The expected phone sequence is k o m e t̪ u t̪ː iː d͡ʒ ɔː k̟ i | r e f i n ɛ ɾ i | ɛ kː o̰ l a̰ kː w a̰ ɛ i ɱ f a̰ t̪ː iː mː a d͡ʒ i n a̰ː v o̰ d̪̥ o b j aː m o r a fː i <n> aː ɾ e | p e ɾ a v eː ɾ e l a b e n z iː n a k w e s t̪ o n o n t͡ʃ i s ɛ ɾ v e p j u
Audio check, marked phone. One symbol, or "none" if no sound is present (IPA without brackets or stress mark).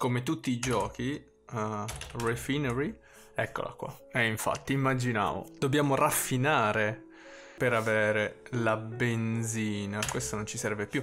n